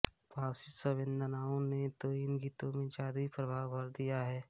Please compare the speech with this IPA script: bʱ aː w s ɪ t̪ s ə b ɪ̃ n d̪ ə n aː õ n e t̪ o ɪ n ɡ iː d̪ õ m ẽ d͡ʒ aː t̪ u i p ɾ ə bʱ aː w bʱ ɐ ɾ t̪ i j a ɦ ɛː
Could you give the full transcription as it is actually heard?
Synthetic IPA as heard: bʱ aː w s ɪ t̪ s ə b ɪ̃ n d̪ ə n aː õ n e t̪ o ɪ n ɡ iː t̪ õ m ẽ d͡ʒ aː d̪ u i p ɾ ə bʱ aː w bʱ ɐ ɾ d̪ i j a ɦ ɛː